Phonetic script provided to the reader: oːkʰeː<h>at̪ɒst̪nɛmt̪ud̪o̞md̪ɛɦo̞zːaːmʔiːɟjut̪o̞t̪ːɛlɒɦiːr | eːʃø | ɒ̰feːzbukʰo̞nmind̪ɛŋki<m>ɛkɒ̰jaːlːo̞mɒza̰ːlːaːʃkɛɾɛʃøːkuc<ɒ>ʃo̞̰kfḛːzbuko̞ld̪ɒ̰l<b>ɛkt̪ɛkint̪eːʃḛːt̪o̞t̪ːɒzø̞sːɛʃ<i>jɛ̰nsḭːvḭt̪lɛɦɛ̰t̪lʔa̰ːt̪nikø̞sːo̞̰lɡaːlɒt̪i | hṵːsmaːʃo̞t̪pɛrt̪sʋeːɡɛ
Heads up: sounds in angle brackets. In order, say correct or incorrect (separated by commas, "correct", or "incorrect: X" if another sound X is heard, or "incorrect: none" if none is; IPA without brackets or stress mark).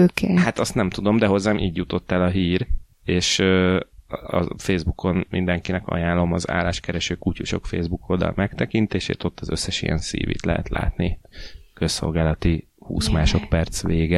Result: correct, incorrect: n, incorrect: u, incorrect: m, correct